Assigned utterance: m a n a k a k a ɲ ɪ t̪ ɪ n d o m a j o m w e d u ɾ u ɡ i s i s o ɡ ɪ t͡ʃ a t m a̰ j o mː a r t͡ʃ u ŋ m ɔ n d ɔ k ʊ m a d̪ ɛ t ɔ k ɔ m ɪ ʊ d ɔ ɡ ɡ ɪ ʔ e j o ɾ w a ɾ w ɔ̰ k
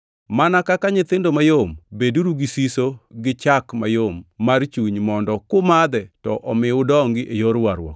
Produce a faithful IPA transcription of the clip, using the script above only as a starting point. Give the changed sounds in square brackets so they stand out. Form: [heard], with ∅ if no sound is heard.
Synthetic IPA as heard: m a n a k a k a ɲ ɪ t̪ ɪ n d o m a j o m [b] e d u ɾ u ɡ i s i s o ɡ ɪ t͡ʃ a [k] m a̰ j o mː a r t͡ʃ u [ɲ] m ɔ n d ɔ k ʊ m a d̪ ɛ t ɔ [ʔ] ɔ m ɪ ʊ d ɔ [ŋ] ɡ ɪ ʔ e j o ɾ w a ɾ w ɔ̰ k

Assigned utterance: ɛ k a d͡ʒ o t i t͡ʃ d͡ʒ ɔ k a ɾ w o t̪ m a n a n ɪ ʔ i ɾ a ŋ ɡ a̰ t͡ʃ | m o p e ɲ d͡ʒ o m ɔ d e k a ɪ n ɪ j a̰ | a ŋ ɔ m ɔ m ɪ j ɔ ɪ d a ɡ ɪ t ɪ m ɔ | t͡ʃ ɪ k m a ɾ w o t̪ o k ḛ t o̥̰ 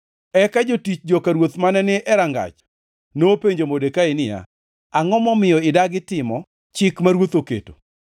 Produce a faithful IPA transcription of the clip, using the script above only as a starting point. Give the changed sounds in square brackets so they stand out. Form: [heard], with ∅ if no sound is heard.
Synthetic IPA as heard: ɛ k a d͡ʒ o t i t͡ʃ d͡ʒ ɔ k a ɾ w o t̪ m a n [ɛ] n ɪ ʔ [ɛ] ɾ a ŋ ɡ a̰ t͡ʃ | [n] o p e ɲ d͡ʒ o m [o] d e k a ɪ n ɪ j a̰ | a ŋ ɔ m ɔ m ɪ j ɔ ɪ d a ɡ ɪ t ɪ m ɔ | t͡ʃ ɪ k m a ɾ w o t̪ o k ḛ t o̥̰

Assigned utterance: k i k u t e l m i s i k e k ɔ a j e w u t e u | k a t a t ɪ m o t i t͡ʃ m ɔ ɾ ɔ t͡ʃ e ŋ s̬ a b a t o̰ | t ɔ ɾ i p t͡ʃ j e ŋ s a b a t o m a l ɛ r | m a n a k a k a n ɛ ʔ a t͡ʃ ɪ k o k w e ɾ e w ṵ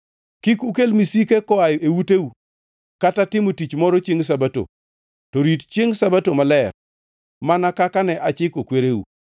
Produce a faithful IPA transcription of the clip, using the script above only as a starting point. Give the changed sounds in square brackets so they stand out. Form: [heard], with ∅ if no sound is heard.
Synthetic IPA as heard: k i k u [k] e l m i s i k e k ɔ a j e w u t e u | k a t a t ɪ m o t i t͡ʃ m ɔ ɾ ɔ t͡ʃ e ŋ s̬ a b a t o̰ | t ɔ ɾ i [t] t͡ʃ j e ŋ s a b a t o m a l ɛ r | m a n a k a k a n ɛ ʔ a t͡ʃ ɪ k o k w e ɾ e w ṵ

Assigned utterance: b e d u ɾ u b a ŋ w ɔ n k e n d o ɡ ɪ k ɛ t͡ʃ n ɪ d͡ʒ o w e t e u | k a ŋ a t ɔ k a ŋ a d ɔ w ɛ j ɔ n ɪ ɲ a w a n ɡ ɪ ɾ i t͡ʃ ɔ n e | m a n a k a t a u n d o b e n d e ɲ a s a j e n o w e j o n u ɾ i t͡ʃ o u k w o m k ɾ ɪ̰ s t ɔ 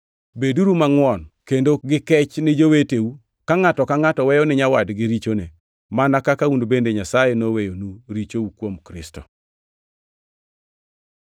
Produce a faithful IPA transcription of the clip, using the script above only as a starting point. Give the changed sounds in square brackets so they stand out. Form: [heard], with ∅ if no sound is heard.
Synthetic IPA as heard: b e d u ɾ u [m] a ŋ w ɔ n k e n d o ɡ ɪ k ɛ t͡ʃ n ɪ d͡ʒ o w e t e u | k a ŋ a t ɔ k a ŋ a [t] ɔ w ɛ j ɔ n ɪ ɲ a w a [d] ɡ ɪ ɾ i t͡ʃ [o] n e | m a n a k a [k] a u n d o b e n d e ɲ a s a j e n o w e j o n u ɾ i t͡ʃ o u k w o m k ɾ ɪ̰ s t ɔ

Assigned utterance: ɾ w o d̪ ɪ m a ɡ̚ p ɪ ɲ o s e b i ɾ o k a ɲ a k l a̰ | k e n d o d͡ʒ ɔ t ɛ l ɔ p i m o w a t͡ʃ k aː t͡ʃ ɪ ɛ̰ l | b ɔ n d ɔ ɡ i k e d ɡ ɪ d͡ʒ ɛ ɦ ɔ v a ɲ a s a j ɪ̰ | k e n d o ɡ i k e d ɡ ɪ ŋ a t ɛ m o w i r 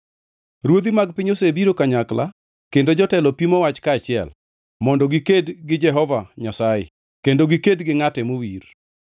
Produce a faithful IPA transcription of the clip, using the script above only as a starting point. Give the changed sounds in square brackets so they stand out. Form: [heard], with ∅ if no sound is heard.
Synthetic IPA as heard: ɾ w o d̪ [i] m a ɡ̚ p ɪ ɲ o s e b i ɾ o k a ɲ a k l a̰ | k e n d o d͡ʒ ɔ t ɛ l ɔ p i m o w a t͡ʃ k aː t͡ʃ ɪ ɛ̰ l | [m] ɔ n d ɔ ɡ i k e d ɡ ɪ d͡ʒ ɛ ɦ ɔ v a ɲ a s a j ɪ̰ | k e n d o ɡ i k e d ɡ ɪ ŋ a t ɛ m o w i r

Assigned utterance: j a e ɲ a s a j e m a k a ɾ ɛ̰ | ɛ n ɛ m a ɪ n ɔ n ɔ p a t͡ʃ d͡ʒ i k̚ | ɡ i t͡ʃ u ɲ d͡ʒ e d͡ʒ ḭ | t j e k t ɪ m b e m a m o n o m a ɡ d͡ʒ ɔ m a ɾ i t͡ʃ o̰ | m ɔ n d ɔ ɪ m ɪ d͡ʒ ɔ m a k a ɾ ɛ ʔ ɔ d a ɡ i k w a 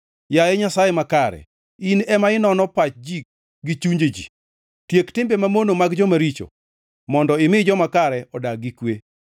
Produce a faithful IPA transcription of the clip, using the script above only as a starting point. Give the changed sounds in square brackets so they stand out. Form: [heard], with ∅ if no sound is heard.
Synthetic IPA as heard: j a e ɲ a s a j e m a k a ɾ ɛ̰ | [i] n ɛ m a ɪ n ɔ n ɔ p a t͡ʃ d͡ʒ i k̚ | ɡ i t͡ʃ u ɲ d͡ʒ e d͡ʒ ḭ | t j e k t ɪ m b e m a m o n o m a ɡ d͡ʒ ɔ m a ɾ i t͡ʃ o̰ | m ɔ n d ɔ ɪ m ɪ d͡ʒ ɔ m a k a ɾ ɛ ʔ ɔ d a ɡ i k w [e]

